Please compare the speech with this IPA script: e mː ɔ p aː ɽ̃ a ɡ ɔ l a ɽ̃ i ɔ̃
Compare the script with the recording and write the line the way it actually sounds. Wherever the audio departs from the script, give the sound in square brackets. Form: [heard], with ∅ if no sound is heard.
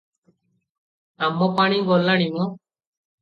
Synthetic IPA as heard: [a] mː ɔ p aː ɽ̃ [i] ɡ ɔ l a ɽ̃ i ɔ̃